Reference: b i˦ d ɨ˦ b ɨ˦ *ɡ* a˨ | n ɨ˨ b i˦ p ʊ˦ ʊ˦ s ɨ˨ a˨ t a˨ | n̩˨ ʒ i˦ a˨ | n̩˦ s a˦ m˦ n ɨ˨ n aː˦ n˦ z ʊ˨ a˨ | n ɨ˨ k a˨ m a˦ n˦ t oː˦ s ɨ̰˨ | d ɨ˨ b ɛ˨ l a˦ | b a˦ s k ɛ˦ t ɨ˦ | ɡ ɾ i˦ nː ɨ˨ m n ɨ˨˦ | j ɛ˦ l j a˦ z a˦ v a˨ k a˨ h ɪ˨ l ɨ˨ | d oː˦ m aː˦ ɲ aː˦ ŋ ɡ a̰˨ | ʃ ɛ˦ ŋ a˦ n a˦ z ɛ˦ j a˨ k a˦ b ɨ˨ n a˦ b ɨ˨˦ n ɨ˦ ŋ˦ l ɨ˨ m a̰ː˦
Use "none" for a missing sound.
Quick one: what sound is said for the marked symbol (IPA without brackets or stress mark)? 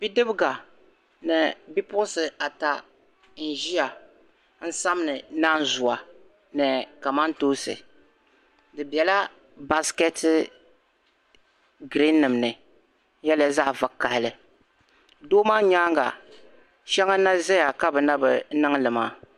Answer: ɡ